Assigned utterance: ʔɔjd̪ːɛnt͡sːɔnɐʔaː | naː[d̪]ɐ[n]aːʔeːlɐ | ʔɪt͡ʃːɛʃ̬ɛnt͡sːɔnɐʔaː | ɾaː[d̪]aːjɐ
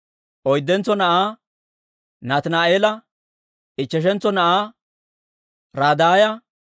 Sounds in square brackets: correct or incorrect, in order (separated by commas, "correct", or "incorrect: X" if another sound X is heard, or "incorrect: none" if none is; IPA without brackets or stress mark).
incorrect: t̪, correct, correct